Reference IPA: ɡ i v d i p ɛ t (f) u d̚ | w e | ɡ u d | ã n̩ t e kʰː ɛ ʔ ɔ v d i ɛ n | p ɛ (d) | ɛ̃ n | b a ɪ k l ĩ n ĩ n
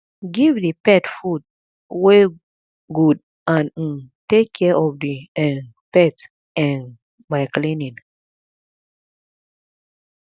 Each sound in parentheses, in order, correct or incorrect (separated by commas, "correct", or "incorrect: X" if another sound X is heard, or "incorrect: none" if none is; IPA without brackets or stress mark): correct, incorrect: t